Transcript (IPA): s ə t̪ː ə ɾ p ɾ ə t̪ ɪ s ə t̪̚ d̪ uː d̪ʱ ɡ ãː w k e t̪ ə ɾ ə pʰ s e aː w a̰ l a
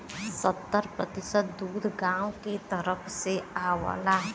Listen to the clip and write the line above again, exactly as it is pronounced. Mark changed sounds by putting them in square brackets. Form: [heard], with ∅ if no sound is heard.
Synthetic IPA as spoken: s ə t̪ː ə ɾ p ɾ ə t̪ ɪ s ə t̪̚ d̪ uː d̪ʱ ɡ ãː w k e t̪ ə ɾ ə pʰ s e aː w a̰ l a